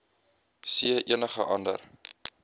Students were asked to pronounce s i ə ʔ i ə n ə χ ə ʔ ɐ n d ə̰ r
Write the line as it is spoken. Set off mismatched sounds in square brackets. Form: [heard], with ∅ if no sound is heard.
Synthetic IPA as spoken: s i ə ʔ i ə n ə χ ə ʔ ɐ n d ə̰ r